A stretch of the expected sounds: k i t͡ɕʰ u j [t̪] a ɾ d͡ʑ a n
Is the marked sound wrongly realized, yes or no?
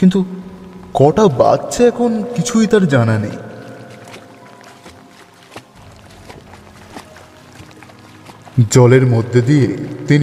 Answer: no